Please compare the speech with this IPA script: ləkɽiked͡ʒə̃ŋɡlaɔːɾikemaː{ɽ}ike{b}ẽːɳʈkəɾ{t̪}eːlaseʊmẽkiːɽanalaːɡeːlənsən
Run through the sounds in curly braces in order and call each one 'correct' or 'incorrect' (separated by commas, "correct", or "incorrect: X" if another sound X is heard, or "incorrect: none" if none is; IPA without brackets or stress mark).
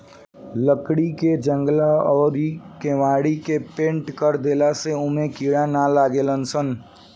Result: correct, incorrect: p, incorrect: d̪